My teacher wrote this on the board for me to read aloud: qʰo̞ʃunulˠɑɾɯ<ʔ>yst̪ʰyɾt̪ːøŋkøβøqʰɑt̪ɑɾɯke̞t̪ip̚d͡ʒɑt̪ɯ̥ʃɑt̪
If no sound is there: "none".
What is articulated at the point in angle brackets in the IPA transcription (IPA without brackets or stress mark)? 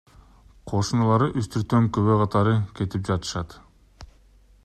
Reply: ʔ